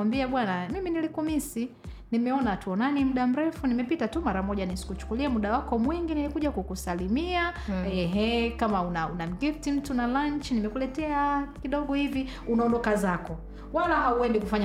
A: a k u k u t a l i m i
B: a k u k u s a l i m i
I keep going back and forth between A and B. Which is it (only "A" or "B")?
B